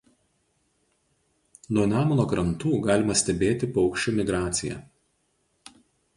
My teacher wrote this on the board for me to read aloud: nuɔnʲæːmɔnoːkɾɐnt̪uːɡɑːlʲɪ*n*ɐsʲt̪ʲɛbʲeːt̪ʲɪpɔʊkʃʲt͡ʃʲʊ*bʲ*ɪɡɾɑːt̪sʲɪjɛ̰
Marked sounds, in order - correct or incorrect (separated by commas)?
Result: incorrect, incorrect